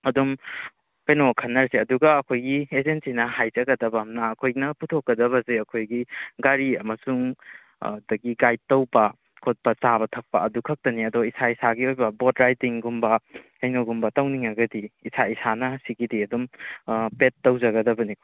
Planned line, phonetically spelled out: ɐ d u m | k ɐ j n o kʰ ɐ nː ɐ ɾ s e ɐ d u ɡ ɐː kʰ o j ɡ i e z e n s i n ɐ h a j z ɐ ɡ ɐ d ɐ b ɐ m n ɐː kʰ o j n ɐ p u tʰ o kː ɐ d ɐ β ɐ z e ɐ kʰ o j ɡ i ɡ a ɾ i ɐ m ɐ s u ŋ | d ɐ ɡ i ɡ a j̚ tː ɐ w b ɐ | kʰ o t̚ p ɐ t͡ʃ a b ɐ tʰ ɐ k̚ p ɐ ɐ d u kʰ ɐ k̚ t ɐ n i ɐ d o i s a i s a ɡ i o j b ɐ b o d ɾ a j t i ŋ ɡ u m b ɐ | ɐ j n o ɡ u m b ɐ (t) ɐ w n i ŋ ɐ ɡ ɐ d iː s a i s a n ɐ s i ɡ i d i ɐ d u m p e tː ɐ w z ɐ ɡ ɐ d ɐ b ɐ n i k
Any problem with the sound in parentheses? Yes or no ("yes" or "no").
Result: no